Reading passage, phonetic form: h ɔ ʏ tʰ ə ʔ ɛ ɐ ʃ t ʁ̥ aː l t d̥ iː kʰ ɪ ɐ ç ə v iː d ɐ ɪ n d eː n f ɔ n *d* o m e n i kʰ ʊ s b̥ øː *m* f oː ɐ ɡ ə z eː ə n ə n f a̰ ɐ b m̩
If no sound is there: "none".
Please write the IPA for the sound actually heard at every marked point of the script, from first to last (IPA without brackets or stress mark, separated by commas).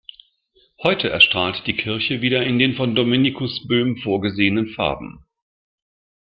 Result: d, m